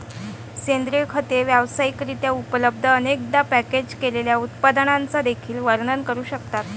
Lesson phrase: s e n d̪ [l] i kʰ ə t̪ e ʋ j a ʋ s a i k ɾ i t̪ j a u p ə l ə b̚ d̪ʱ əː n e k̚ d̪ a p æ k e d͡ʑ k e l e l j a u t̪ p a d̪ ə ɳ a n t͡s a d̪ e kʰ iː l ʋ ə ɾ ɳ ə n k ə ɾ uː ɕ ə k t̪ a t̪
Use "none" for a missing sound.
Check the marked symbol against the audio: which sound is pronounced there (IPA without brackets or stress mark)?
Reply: ɾ